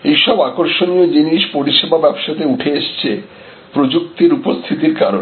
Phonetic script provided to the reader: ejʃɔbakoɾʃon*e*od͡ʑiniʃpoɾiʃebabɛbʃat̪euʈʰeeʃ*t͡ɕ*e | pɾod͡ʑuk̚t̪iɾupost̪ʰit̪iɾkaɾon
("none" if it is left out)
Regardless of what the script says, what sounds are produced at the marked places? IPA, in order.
i, t͡ɕʰ

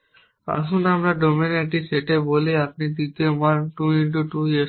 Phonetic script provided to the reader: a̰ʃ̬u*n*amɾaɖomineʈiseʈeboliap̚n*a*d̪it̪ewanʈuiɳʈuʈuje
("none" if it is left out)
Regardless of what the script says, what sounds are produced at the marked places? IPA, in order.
n, i

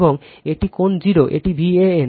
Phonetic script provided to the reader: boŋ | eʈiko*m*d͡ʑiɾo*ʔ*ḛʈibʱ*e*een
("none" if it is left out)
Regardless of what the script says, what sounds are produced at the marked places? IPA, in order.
n, ʔ, i

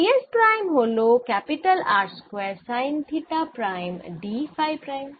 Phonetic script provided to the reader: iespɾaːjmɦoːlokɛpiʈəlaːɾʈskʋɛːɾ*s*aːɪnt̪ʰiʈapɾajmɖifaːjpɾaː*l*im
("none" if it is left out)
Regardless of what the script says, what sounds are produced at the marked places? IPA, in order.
s, none

